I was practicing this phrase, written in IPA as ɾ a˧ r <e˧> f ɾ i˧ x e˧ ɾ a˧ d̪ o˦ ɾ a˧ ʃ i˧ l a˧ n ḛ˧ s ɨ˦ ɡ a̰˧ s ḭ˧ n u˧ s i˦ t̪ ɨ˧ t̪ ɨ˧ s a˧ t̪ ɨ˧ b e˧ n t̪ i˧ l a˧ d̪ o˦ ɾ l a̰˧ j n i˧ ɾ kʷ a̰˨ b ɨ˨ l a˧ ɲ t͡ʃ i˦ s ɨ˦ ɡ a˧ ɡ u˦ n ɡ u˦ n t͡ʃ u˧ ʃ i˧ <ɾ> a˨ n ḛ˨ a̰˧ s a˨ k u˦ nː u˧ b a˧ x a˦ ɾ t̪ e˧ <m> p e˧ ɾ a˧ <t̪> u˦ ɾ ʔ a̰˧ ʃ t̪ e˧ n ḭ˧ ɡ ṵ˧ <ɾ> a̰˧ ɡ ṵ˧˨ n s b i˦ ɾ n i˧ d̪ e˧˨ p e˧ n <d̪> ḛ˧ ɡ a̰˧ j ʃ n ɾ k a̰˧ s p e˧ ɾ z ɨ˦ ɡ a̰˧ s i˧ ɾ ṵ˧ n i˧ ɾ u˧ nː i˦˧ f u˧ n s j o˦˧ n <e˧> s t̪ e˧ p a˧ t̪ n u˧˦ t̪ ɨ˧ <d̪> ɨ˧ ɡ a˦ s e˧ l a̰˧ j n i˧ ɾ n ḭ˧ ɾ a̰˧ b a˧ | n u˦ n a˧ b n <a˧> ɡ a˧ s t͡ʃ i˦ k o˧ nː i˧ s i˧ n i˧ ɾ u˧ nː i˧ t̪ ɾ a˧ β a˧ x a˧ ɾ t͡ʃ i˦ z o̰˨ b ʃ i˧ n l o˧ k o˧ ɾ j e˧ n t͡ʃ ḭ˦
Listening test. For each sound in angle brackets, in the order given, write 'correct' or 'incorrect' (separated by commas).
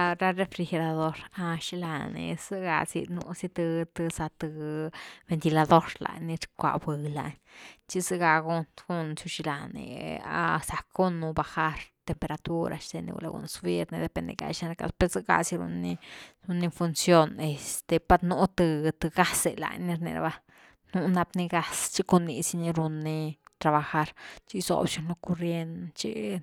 correct, incorrect, correct, correct, incorrect, correct, correct, incorrect, incorrect